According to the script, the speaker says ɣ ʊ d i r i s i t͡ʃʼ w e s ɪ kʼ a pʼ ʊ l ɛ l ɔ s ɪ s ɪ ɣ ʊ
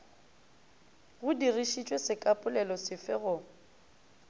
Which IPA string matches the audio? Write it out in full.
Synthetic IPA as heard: ɣ ʊ d i r i ʃ i t͡ʃʼ w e s ɪ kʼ a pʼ ʊ l ɛ l ɔ s ɪ f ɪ ɣ ʊ